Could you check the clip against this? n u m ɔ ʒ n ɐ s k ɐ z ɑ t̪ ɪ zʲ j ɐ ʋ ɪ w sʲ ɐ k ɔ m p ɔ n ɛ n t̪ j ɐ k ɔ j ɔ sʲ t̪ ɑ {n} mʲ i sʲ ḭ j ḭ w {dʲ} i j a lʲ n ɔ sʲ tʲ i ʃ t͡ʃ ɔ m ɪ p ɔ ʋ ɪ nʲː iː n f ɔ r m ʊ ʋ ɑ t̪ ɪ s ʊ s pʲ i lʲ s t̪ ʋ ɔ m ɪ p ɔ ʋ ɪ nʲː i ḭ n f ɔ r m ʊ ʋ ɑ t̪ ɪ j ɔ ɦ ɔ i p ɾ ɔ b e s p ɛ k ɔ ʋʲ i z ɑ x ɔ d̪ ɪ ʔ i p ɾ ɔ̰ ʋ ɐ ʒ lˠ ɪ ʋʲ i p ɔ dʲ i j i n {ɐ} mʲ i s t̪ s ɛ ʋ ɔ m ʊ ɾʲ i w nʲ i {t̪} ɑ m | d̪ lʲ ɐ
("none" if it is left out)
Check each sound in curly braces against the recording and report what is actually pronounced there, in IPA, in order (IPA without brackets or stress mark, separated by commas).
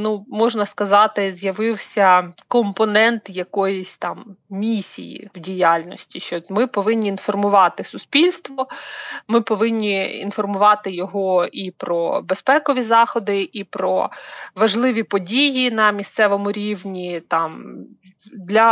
m, dʲ, ɐ, t̪